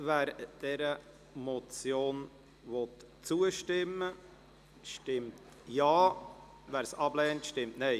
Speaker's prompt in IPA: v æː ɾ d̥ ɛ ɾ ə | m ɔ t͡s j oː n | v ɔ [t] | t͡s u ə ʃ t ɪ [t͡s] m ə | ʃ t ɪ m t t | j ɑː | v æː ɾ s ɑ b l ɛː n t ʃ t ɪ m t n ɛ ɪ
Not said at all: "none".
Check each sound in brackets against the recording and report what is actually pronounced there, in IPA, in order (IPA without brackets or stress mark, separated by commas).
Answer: t, none